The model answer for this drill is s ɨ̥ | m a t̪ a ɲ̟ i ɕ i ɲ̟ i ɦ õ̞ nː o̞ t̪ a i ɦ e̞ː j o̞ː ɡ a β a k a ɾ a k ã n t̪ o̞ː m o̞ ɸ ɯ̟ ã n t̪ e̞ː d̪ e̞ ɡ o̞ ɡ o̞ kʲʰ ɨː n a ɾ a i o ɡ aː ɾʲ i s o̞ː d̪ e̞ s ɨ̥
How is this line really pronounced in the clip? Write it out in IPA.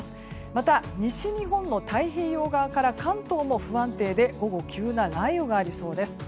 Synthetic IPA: s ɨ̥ | m a t̪ a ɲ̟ i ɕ i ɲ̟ i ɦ õ̞ nː o̞ t̪ a i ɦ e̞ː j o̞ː ɡ a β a k a ɾ a k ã n t̪ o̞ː m o̞ ɸ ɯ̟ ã n t̪ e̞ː d̪ e̞ ɡ o̞ ɡ o̞ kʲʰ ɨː n a ɾ a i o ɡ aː ɾʲ i s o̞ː d̪ e̞ s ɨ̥

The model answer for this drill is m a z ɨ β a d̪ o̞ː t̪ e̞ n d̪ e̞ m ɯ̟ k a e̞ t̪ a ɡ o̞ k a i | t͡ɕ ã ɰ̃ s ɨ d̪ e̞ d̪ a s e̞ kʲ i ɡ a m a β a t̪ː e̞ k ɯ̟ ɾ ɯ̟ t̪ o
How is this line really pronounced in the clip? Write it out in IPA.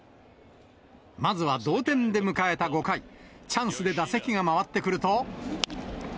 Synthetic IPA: m a z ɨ β a d̪ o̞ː t̪ ẽ̞ n d̪ e̞ m ɯ̟ k a e̞ t̪ a ɡ o̞ k a i | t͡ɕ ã ɰ̃ s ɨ d̪ e̞ d̪ a s e̞ kʲ i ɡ a m a β a t̪ː e̞ k ɯ̟ ɾ ɯ̟ t̪ o

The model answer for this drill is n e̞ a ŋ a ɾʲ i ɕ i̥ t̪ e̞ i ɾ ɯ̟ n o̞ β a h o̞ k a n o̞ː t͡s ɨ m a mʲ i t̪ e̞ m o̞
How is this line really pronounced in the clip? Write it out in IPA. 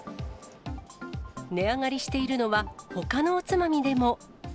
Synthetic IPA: n e̞ a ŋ a ɾʲ i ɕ i̥ t̪ e̞ i ɾ ɯ̟ n o̞ β a h o̞ k a n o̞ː t͡s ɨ m a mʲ i d̪ e̞ m o̞

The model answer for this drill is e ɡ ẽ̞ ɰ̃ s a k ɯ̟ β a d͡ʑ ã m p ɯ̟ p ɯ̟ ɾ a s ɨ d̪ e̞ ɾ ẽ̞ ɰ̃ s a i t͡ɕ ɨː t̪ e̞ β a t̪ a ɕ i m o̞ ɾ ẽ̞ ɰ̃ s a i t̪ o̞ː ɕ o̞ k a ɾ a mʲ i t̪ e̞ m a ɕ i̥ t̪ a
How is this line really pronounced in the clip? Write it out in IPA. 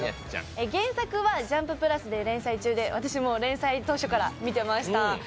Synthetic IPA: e ɡ ẽ̞ ɰ̃ s a k ɯ̟ β a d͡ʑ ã m p ɯ̟ p ɯ̟ ɾ a s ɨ d̪ e̞ ɾ ẽ̞ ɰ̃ s a i t͡ɕ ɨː d̪ e̞ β a t̪ a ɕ i m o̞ ɾ ẽ̞ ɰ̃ s a i t̪ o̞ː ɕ o̞ k a ɾ a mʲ i t̪ e̞ m a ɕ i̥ t̪ a

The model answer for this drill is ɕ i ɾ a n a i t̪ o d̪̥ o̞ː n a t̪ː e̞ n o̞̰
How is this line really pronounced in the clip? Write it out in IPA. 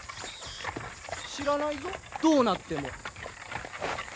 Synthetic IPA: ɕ i ɾ a n a i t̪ o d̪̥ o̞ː n a t̪ː e̞ m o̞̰

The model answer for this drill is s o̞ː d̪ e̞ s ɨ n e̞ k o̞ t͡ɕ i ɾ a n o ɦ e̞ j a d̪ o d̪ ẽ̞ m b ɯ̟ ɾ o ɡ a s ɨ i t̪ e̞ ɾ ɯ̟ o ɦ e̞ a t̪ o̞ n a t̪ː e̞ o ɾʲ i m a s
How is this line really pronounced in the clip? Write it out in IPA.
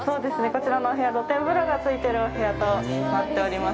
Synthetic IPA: s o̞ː d̪ e̞ s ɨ n e̞ k o̞ t͡ɕ i ɾ a n o ɦ e̞ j a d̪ o t̪ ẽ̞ m b ɯ̟ ɾ o ɡ a t͡s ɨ i t̪ e̞ ɾ ɯ̟ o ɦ e̞ a t̪ o̞ n a t̪ː e̞ o ɾʲ i m a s

